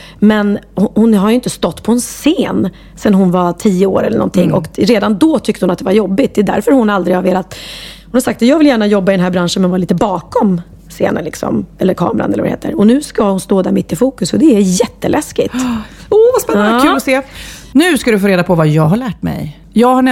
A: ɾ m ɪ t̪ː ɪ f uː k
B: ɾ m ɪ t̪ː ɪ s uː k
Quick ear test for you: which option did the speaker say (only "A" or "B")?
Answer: A